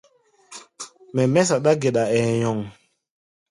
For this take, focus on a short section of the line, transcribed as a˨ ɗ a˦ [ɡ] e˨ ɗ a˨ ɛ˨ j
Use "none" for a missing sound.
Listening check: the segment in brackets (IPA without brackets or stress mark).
ɡ